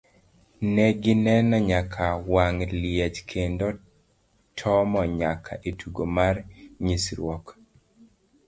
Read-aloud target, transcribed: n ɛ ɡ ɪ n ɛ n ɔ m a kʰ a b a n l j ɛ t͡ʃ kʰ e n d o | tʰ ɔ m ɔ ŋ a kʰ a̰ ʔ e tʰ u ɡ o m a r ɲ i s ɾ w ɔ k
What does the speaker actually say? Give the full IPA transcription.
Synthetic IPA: n ɛ ɡ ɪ n ɛ n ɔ ɲ a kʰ a w a ŋ l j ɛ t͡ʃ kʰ e n d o | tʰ ɔ m ɔ ɲ a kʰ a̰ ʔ e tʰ u ɡ o m a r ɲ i s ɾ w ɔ k